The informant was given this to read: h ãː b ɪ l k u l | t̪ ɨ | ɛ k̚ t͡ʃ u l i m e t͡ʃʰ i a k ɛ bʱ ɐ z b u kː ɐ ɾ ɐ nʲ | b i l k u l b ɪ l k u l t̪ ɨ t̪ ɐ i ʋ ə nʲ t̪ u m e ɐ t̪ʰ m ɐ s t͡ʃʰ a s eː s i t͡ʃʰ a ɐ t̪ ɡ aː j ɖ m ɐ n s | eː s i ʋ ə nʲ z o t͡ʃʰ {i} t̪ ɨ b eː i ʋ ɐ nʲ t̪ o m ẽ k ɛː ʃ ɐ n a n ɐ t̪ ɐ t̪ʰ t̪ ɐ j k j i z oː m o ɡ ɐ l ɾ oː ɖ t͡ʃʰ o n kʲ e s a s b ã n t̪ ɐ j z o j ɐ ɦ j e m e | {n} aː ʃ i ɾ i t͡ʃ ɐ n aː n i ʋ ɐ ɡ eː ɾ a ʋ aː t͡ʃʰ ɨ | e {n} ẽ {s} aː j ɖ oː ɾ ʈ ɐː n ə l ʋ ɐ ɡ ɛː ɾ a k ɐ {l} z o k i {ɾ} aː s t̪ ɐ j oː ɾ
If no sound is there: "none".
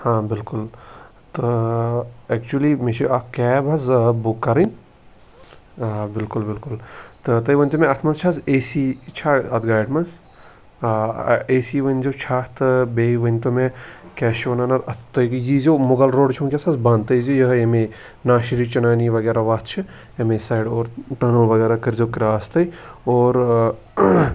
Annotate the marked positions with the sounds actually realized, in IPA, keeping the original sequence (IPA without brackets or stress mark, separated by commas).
a, n, m, s, ɾ, ɾ